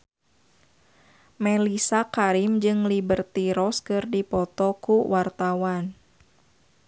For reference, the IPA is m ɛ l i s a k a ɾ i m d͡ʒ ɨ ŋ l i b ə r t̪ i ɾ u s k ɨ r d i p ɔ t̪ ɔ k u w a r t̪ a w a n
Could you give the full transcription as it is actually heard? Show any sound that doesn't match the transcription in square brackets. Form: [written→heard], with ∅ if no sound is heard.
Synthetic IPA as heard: m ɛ l i s a k a ɾ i m d͡ʒ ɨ ŋ l i b ə r t̪ i ɾ [u→ɔ] s k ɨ r d i p ɔ t̪ ɔ k u w a r t̪ a w a n

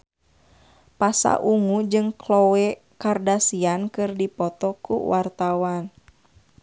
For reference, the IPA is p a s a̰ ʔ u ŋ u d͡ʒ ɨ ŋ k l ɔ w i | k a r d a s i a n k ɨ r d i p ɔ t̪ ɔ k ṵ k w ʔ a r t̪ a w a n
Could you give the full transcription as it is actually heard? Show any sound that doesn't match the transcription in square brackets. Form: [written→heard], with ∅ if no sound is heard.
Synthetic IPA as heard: p a s a̰ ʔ u ŋ u d͡ʒ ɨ ŋ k l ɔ w [i→ɛ] | k a r d a s i a n k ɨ r d i p ɔ t̪ ɔ k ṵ [k→∅] w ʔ a r t̪ a w a n

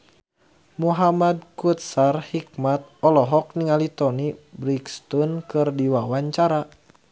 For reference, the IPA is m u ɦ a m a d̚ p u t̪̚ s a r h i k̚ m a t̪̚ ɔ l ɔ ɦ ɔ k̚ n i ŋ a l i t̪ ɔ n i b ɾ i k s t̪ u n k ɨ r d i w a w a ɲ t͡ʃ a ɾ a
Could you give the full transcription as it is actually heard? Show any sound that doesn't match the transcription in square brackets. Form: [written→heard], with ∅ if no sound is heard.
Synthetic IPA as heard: m u ɦ a m a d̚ [p→k] u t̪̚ s a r h i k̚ m a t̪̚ ɔ l ɔ ɦ ɔ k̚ n i ŋ a l i t̪ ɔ n i b ɾ i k s t̪ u n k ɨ r d i w a w a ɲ t͡ʃ a ɾ a

